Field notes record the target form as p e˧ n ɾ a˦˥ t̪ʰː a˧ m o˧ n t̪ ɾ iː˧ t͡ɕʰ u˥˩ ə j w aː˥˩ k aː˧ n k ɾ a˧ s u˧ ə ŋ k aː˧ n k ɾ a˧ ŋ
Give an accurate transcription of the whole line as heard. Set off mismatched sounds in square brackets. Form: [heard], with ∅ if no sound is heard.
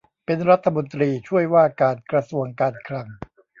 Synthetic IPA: p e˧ n ɾ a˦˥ t̪ʰː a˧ m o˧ n t̪ ɾ iː˧ t͡ɕʰ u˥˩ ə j w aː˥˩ k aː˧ n k ɾ a˧ s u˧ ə ŋ k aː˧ n [kʰ] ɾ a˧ ŋ